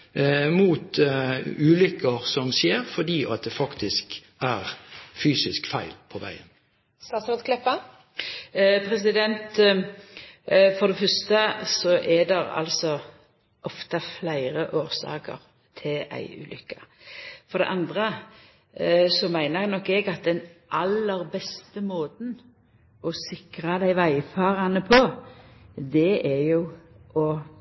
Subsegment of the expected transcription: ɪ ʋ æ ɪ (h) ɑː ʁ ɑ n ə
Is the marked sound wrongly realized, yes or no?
yes